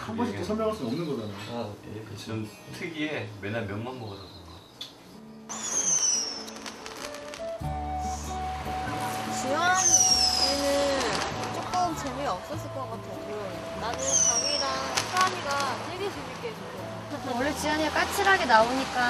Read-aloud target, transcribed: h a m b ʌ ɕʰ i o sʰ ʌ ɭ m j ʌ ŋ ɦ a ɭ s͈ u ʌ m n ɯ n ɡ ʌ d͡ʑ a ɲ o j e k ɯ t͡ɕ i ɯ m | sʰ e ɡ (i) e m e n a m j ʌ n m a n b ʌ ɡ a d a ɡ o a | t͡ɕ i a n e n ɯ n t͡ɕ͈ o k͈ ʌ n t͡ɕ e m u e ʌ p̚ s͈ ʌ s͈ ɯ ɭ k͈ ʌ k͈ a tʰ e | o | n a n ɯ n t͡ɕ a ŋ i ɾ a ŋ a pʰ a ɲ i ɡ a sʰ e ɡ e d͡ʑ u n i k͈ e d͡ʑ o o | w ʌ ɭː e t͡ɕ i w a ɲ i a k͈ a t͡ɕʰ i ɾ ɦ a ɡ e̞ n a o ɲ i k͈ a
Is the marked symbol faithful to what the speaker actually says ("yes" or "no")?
yes